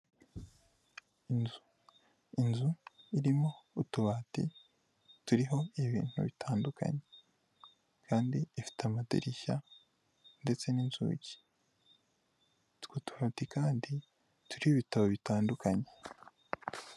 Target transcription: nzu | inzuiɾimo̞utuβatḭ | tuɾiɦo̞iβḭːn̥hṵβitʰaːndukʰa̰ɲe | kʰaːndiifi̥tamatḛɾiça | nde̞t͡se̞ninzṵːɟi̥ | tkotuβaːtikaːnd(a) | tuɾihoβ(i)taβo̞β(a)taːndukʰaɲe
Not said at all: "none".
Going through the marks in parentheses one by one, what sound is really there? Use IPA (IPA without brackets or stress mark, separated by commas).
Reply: i, i, i